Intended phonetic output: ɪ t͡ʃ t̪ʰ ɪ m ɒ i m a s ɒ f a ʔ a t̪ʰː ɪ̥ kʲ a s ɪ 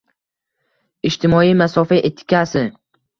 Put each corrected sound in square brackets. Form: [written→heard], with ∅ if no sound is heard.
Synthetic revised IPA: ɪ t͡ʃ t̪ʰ ɪ m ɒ i m a s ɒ f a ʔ [a→e] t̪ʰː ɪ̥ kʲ a s ɪ